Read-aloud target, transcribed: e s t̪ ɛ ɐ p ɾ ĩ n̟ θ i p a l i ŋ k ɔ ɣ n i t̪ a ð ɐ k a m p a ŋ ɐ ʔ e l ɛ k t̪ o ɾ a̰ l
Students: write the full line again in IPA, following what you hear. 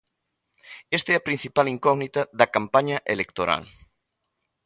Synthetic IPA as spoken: e s t̪ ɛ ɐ p ɾ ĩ n̟ θ i p a l i ŋ k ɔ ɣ n i t̪ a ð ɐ k a m p a ɲ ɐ ʔ e l e k t̪ o ɾ a̰ l